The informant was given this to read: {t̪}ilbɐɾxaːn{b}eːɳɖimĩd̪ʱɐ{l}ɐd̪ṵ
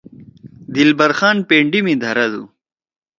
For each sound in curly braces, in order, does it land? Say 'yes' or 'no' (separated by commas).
no, no, no